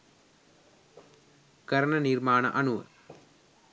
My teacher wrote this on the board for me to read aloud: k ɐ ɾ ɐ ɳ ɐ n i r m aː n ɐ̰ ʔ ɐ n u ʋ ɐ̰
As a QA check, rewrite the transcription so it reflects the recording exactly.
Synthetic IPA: k ɐ ɾ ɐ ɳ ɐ n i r m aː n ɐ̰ ʔ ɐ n u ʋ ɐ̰